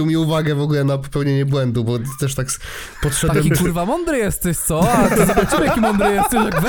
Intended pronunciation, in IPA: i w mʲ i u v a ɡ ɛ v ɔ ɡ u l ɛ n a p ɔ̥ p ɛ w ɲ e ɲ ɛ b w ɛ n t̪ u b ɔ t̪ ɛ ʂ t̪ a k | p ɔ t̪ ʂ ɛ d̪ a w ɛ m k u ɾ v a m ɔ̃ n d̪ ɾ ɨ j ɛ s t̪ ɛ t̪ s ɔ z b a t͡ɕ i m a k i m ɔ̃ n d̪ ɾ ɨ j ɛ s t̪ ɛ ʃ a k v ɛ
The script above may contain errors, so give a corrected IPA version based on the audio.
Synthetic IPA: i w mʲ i u v a ɡ ɛ v ɔ ɡ u l ɛ n a p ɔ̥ p ɛ w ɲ e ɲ ɛ b w ɛ n d̪ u b ɔ t̪ ɛ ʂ t̪ a k | p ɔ t̪ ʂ ɛ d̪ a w ɛ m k u ɾ v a m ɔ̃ n d̪ ɾ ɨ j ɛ s t̪ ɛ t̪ s ɔ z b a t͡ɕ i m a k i m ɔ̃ n d̪ ɾ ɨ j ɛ s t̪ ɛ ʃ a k v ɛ